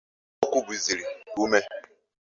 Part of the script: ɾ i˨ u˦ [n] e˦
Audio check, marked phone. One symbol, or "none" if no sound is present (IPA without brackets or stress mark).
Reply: m